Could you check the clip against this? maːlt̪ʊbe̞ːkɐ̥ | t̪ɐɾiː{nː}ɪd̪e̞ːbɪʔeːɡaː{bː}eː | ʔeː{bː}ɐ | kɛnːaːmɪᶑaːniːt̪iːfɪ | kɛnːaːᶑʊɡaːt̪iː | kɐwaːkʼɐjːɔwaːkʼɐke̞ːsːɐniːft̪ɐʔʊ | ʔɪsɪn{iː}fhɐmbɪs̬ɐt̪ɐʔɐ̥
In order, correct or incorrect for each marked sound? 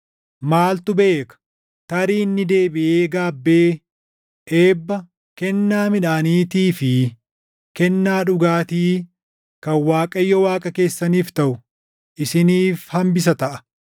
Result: correct, correct, correct, correct

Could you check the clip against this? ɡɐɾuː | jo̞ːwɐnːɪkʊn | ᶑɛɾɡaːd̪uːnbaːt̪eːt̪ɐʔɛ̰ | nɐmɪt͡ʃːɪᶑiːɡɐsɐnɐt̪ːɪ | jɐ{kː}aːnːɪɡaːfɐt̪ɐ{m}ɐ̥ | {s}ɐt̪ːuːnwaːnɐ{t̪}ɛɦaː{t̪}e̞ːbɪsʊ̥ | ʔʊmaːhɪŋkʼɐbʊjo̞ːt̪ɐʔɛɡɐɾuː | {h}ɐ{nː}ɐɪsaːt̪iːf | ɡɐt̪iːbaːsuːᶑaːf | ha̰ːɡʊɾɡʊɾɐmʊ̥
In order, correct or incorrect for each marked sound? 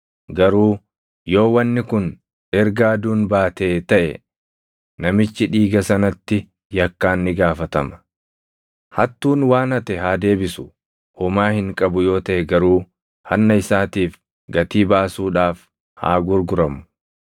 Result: correct, correct, incorrect, correct, incorrect, correct, correct

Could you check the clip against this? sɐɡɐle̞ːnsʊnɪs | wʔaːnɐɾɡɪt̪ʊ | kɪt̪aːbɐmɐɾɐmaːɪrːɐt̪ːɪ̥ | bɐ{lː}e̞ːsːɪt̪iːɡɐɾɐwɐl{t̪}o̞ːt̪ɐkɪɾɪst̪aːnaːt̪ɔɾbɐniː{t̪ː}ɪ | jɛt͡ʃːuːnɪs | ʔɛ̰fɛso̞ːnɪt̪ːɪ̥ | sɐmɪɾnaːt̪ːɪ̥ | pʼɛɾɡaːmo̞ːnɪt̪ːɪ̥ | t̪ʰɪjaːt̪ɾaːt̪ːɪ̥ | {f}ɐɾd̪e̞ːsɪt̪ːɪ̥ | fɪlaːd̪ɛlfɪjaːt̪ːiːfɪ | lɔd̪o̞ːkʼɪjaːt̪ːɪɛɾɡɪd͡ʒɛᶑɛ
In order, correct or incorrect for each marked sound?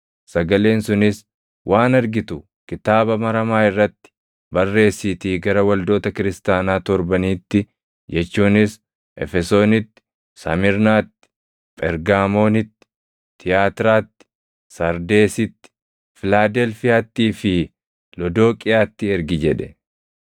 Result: incorrect, incorrect, correct, incorrect

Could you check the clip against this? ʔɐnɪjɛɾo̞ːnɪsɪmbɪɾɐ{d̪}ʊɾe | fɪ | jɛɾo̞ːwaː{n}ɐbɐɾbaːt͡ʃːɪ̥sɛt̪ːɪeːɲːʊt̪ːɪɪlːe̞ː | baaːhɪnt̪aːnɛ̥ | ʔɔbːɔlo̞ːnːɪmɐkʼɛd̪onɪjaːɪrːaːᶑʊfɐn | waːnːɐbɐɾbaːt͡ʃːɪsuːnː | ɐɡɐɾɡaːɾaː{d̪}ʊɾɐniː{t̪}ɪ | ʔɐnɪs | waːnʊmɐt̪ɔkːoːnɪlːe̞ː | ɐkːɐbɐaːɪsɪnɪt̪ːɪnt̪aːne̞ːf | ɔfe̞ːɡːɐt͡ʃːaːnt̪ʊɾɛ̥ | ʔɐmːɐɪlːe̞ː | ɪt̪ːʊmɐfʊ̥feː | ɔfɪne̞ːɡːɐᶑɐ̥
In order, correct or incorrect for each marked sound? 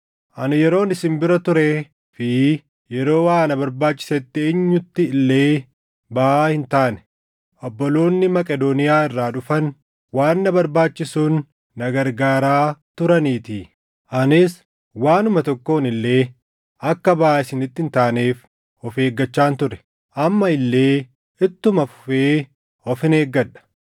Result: incorrect, correct, incorrect, correct

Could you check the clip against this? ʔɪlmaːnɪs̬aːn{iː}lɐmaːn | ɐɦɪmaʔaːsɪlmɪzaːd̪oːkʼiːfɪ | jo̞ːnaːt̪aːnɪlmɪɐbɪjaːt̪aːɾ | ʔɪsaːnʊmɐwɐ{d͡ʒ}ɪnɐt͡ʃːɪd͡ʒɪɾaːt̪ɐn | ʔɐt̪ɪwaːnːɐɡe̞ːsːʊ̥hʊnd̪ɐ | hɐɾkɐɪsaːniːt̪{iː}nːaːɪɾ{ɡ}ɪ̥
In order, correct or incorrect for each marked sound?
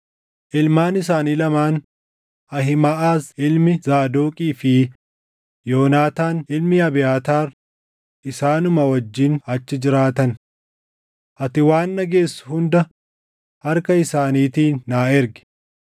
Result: correct, incorrect, correct, correct

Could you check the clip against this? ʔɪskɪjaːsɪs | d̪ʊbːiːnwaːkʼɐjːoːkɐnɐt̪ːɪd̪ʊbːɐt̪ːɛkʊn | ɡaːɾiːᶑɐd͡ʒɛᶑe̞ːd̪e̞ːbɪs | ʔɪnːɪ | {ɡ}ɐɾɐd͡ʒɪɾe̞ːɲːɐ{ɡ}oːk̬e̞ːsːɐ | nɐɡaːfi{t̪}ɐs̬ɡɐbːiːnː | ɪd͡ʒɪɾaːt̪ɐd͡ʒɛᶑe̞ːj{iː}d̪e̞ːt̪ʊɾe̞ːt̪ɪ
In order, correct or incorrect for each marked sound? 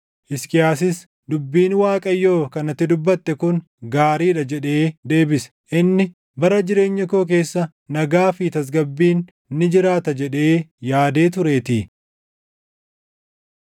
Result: incorrect, incorrect, correct, incorrect

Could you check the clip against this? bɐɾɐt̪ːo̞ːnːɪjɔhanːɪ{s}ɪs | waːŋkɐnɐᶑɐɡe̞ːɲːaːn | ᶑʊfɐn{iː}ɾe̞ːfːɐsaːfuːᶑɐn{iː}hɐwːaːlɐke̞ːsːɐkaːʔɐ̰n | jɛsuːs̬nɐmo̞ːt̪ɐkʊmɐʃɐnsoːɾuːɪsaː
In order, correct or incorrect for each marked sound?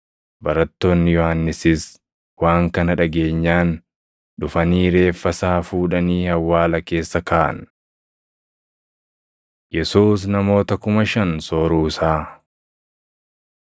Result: correct, correct, correct

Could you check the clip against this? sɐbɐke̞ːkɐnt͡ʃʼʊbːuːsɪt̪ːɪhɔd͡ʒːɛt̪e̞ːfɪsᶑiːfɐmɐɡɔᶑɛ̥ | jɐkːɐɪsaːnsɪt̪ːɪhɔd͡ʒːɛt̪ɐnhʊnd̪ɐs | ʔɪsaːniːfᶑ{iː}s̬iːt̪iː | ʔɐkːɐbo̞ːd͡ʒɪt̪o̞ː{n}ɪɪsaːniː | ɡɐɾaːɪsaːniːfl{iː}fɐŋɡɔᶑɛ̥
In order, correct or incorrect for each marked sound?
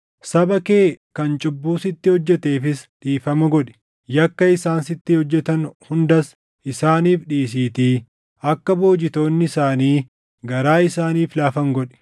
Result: correct, incorrect, incorrect

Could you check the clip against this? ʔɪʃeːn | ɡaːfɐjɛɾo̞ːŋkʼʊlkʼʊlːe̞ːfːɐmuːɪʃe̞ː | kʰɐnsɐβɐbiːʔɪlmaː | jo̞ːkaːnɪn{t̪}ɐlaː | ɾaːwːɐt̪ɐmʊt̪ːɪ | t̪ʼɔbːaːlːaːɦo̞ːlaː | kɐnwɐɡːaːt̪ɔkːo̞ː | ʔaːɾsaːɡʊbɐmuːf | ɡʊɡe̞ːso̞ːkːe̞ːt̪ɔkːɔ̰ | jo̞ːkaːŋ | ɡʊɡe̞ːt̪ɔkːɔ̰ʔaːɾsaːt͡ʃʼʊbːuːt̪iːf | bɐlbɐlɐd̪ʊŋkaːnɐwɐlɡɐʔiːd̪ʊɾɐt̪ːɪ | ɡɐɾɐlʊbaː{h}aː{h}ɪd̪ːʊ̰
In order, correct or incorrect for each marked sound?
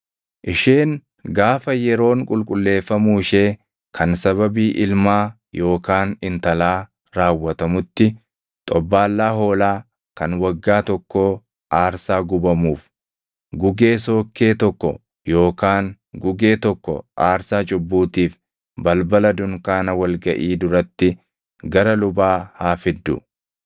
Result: correct, correct, incorrect

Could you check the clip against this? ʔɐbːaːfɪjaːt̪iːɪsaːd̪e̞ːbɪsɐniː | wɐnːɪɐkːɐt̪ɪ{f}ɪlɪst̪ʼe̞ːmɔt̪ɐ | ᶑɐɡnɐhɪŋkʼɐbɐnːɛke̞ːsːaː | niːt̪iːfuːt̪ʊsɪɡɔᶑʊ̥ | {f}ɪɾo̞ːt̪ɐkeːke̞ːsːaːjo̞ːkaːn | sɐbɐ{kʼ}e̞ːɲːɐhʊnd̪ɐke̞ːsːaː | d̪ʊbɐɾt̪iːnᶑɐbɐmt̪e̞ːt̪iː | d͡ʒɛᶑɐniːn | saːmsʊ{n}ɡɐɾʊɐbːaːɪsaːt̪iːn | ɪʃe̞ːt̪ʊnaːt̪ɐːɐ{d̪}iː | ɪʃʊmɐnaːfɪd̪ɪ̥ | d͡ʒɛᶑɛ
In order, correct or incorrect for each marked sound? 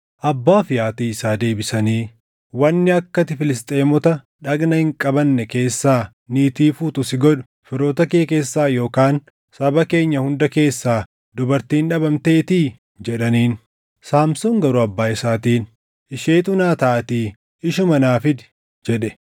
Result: correct, correct, incorrect, incorrect, incorrect

